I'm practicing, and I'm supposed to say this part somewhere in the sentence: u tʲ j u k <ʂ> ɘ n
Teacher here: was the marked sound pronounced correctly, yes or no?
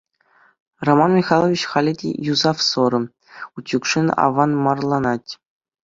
yes